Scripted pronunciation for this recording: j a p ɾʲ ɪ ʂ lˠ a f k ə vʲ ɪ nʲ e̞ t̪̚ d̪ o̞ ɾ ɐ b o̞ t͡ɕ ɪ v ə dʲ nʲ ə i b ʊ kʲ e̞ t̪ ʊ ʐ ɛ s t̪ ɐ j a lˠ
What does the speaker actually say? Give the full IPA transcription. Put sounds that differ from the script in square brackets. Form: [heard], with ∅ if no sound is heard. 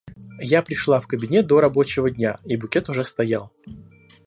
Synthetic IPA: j a p ɾʲ ɪ ʂ lˠ a f k ə [bʲ] ɪ nʲ e̞ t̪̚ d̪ o̞ ɾ ɐ b o̞ t͡ɕ ɪ v ə dʲ nʲ [a] i b ʊ kʲ e̞ t̪ ʊ ʐ ɛ s t̪ ɐ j a lˠ